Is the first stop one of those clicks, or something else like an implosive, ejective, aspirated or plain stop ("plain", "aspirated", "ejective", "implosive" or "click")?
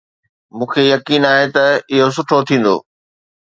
aspirated